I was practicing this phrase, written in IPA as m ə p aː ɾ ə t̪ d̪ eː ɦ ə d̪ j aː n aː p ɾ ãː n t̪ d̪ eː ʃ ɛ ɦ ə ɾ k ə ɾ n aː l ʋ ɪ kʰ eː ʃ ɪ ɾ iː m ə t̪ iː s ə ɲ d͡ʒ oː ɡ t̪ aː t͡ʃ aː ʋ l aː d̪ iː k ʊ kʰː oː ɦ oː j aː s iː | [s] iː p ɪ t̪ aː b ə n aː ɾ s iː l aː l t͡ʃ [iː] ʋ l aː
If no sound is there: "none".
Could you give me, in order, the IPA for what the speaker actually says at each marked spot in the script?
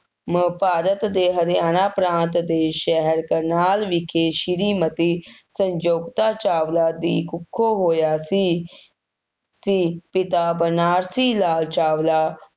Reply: s, aː

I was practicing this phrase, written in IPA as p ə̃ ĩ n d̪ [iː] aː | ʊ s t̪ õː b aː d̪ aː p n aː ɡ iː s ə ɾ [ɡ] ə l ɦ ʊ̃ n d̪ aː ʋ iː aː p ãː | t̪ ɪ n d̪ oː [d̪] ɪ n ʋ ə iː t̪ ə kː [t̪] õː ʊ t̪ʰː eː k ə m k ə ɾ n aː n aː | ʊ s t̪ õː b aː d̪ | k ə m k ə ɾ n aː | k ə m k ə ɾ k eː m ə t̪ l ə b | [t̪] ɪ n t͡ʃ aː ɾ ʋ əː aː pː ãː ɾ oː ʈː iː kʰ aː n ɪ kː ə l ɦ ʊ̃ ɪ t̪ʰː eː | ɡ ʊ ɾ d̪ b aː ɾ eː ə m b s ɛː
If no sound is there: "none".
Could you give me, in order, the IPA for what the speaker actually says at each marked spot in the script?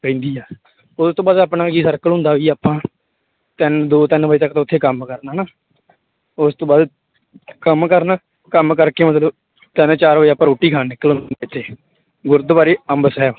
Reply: iː, k, t̪, t̪, t̪

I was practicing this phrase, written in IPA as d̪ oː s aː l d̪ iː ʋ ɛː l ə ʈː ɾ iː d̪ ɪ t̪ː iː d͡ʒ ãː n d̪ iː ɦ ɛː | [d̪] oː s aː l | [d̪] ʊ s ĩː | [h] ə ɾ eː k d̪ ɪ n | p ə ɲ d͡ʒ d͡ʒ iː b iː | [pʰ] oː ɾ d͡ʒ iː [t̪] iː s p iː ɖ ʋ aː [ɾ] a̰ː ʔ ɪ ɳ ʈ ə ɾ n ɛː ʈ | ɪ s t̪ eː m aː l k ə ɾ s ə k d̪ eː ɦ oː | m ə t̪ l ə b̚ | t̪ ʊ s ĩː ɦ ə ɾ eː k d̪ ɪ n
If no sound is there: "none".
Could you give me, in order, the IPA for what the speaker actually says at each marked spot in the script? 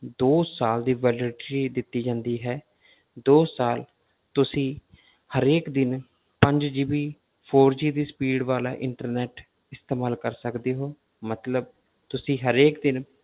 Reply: d̪, t̪, h, pʰ, d̪, l

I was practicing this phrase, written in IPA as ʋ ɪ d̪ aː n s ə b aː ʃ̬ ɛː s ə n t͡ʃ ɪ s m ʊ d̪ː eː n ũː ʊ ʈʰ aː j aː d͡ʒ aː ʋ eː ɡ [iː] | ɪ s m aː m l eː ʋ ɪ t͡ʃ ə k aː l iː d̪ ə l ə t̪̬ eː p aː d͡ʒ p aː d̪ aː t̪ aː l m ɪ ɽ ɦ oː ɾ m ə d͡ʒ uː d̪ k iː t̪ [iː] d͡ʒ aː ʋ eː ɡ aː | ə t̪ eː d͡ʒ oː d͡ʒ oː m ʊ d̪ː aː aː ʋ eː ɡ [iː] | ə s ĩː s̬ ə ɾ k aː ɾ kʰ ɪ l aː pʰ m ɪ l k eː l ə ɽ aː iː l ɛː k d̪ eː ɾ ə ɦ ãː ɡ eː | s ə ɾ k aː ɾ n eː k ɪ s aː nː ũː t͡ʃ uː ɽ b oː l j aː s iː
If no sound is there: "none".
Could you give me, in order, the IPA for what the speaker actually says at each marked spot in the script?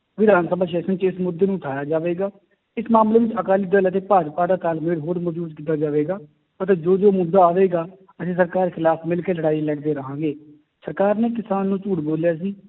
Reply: aː, aː, aː

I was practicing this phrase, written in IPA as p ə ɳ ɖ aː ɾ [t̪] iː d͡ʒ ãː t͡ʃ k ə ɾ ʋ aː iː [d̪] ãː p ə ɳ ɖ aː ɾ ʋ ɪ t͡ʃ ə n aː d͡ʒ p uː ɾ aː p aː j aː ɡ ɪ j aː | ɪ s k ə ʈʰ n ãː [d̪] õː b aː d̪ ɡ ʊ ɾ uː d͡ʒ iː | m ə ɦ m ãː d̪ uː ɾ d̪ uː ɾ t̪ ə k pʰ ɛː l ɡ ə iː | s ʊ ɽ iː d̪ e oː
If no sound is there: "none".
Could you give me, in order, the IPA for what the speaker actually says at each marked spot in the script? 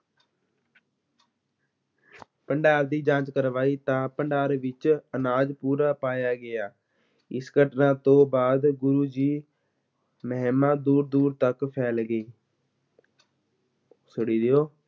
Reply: d̪, t̪, t̪

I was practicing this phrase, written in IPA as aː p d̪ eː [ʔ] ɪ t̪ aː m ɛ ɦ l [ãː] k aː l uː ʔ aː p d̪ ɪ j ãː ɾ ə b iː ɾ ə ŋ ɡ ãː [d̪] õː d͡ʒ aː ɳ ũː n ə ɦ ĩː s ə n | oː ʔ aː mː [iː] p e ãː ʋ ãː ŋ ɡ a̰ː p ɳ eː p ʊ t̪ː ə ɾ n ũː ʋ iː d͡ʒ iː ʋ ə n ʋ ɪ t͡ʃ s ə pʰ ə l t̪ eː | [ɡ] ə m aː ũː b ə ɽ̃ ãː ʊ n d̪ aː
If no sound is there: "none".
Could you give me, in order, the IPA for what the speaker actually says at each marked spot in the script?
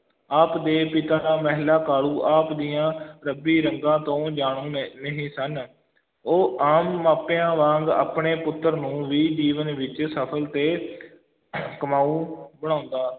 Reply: p, aː, t̪, aː, k

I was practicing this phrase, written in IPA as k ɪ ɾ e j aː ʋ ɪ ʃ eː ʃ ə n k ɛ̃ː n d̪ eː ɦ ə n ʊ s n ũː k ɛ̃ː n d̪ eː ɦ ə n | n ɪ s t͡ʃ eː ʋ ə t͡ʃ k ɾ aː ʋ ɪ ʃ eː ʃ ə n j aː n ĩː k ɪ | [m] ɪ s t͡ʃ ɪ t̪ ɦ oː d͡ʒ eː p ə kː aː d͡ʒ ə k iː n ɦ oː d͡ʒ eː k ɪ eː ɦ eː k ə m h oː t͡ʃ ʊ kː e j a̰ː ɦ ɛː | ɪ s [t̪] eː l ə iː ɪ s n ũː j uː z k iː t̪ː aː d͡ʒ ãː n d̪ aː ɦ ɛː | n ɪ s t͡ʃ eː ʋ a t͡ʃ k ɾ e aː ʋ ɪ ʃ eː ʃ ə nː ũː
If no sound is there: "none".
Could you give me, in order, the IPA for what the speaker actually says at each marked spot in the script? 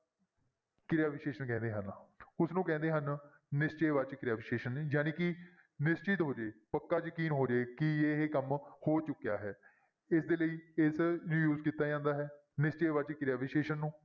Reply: n, d̪

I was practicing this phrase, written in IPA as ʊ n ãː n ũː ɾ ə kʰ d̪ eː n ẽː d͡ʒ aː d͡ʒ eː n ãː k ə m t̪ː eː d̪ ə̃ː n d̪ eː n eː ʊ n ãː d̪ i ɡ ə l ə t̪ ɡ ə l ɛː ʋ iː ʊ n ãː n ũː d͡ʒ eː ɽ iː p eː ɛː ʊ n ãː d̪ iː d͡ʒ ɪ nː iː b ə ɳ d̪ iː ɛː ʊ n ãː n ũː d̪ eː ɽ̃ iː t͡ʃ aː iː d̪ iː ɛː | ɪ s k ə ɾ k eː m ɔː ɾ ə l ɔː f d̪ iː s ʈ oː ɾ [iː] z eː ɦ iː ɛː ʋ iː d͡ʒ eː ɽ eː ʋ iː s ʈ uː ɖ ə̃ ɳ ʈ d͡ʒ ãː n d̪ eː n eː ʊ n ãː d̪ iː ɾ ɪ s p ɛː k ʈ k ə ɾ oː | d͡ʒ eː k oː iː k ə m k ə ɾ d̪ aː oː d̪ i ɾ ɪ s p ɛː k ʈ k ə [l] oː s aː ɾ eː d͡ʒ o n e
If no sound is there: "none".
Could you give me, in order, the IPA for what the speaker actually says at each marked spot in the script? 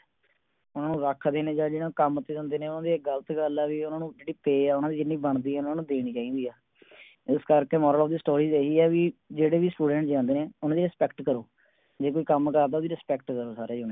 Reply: iː, ɾ

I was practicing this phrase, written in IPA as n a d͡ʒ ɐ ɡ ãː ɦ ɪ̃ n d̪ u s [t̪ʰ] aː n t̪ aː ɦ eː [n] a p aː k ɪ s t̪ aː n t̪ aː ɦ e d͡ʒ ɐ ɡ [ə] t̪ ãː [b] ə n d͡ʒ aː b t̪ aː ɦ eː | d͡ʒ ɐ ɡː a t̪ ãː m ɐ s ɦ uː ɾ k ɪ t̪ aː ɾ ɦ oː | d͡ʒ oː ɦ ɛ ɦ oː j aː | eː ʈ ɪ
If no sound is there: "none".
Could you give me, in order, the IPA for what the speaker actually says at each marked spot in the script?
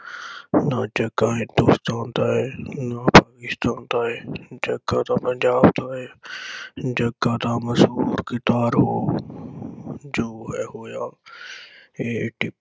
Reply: t̪, n, a, p

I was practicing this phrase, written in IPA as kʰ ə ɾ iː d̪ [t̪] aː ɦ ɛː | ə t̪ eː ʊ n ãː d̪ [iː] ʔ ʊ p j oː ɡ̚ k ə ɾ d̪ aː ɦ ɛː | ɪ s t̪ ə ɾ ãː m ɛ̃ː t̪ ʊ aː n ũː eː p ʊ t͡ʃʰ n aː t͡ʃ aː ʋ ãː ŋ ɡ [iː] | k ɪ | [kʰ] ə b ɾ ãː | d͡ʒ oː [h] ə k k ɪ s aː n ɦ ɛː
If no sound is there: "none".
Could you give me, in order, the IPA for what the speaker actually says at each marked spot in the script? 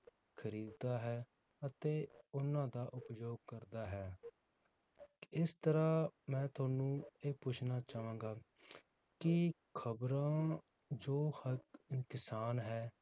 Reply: d̪, aː, aː, kʰ, h

